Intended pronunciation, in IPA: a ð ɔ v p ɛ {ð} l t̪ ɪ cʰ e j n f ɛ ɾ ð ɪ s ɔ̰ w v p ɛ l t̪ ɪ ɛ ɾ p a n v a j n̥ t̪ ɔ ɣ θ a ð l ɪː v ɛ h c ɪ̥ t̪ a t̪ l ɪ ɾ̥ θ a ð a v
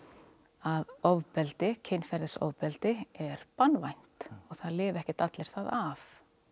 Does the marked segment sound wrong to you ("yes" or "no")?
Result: yes